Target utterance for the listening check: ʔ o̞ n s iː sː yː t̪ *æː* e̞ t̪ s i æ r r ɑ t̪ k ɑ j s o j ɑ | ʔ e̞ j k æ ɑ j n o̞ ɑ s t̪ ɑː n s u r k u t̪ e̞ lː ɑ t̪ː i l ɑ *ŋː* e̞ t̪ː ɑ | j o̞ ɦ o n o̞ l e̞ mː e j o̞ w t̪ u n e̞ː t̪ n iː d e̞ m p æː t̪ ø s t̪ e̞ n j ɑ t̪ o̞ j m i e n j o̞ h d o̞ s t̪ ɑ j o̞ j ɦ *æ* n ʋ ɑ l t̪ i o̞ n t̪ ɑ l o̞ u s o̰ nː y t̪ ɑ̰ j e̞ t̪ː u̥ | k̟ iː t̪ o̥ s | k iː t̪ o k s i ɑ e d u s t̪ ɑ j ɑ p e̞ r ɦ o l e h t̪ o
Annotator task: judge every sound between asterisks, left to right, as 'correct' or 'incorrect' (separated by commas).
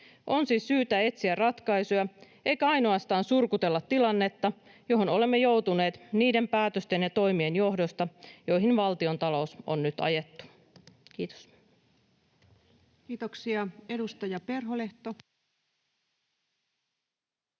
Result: incorrect, incorrect, incorrect